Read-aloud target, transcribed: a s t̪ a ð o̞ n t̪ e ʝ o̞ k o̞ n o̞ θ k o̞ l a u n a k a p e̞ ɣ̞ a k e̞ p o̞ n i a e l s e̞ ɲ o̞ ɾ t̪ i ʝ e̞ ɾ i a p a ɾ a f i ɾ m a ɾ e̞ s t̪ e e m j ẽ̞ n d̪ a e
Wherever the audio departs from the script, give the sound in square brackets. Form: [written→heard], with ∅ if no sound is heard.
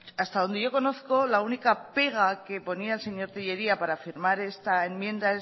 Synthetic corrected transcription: a s t̪ a ð o̞ n [t̪→d̪] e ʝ o̞ k o̞ n o̞ θ k o̞ l a u n [a→i] k a p e̞ ɣ̞ a k e̞ p o̞ n i a e l s e̞ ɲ o̞ ɾ t̪ i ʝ e̞ ɾ i a p a ɾ a f i ɾ m a ɾ e̞ s t̪ [e→a] e m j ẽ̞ n d̪ a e